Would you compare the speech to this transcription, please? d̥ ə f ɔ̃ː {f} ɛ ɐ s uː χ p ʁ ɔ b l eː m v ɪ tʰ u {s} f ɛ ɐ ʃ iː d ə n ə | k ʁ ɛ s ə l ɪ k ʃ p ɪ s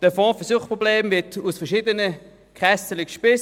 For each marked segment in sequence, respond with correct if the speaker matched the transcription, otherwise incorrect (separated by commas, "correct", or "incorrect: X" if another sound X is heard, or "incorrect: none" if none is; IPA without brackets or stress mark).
correct, correct